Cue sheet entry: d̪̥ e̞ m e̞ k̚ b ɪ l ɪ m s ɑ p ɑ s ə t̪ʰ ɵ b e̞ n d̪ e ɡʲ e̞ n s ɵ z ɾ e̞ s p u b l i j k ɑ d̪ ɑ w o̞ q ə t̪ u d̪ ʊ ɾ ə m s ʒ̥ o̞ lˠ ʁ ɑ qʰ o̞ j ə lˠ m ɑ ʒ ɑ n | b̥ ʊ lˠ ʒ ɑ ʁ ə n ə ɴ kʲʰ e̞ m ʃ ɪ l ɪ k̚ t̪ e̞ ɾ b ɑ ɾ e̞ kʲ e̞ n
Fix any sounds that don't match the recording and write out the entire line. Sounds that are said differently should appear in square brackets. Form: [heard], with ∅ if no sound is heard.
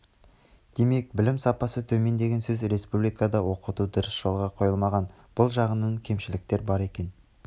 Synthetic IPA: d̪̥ e̞ m e̞ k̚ b ɪ l ɪ m s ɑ p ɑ s ə t̪ʰ ɵ [m] e̞ n d̪ e ɡʲ e̞ n s ɵ z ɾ e̞ s p u b l i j k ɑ d̪ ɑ w o̞ q ə t̪ u d̪ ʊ ɾ ə [∅] s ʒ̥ o̞ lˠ ʁ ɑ qʰ o̞ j ə lˠ m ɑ [ʁ] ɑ n | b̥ ʊ lˠ ʒ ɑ ʁ ə n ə ɴ kʲʰ e̞ m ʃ ɪ l ɪ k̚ t̪ e̞ ɾ b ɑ ɾ e̞ kʲ e̞ n